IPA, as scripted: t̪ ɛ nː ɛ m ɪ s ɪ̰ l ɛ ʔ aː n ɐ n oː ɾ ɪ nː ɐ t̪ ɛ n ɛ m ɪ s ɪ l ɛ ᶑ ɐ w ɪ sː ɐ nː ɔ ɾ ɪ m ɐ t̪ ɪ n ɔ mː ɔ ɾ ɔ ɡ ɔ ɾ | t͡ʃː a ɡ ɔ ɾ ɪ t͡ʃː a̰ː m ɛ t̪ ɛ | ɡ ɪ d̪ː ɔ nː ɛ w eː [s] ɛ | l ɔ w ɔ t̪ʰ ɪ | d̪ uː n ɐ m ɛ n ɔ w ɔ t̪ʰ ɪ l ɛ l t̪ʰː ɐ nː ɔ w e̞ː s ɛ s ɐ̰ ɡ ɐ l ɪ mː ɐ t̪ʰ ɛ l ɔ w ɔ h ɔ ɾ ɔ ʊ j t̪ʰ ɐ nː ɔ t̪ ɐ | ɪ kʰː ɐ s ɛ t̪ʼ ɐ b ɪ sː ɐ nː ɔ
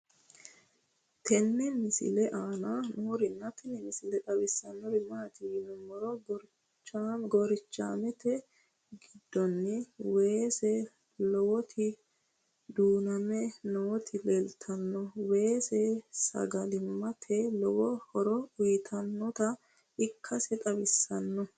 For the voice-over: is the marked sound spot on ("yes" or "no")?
yes